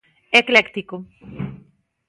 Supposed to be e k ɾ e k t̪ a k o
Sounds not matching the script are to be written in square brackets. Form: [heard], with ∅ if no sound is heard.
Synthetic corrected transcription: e k [l] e k t̪ [i] k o